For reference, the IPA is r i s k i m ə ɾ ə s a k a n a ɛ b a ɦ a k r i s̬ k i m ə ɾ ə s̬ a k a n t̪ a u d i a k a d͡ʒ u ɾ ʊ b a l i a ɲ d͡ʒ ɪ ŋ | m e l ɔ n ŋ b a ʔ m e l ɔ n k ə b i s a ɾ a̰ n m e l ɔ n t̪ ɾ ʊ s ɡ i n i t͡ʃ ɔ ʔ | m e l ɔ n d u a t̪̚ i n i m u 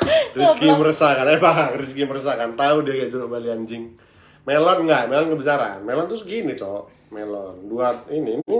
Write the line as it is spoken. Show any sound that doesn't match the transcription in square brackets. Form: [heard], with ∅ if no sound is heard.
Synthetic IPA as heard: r i s k i m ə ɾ ə s a k a n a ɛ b a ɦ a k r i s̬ k i m ə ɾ ə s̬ a k a n t̪ a u d i a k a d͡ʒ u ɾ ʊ b a l i a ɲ d͡ʒ ɪ ŋ | m e l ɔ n ŋ [ɡ] a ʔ m e l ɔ n k ə b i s a ɾ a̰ n m e l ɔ n t̪ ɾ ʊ s ɡ i n i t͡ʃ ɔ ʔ | m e l ɔ n d u a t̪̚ i n i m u